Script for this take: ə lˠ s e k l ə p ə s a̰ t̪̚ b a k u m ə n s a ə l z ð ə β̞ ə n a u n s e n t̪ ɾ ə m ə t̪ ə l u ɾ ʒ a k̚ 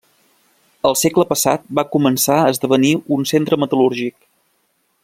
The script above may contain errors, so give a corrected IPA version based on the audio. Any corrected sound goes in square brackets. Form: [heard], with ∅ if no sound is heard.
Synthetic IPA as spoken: ə lˠ s e k l ə p ə s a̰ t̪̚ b a k u m ə n s a ə [∅] z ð ə β̞ ə n [i] u n s e n t̪ ɾ ə m ə t̪ ə l u ɾ ʒ [i] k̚